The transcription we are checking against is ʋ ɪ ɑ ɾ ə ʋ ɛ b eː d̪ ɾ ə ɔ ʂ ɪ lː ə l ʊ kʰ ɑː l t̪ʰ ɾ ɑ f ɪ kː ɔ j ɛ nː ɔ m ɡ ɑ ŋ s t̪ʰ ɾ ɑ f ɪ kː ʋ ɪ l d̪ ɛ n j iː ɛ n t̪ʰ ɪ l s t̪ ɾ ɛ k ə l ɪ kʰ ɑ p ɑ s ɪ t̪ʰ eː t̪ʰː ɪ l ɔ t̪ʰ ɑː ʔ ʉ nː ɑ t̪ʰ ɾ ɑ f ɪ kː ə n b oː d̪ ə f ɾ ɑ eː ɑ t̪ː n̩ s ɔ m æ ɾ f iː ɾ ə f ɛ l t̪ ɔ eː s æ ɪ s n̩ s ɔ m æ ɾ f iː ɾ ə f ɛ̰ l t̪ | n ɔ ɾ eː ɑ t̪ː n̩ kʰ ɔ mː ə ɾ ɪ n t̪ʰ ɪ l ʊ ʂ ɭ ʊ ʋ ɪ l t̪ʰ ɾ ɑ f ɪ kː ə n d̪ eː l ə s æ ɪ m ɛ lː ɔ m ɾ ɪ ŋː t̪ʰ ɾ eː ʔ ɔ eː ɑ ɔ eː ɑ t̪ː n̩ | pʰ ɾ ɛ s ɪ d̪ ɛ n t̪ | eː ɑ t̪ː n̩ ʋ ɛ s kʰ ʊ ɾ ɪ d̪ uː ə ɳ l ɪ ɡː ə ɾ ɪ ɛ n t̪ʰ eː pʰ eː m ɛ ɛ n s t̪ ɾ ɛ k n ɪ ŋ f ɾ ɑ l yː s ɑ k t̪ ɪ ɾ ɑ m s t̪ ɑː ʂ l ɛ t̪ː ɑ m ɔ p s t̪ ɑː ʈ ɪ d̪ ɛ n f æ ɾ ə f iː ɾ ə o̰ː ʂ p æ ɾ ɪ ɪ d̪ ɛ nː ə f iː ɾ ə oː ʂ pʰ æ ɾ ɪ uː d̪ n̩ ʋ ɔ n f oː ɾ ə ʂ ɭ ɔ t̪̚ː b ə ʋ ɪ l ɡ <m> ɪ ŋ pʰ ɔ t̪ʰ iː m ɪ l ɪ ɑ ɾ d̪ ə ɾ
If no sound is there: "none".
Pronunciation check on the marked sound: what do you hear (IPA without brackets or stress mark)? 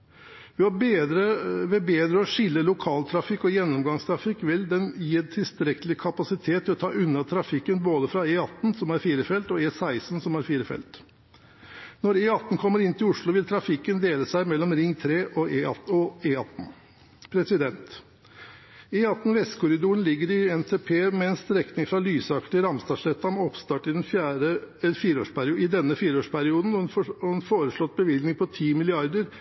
n